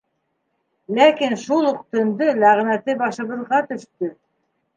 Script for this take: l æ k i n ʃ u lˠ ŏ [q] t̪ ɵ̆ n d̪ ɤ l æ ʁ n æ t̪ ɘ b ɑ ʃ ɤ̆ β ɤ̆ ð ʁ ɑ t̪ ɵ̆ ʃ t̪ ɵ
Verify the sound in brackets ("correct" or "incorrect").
correct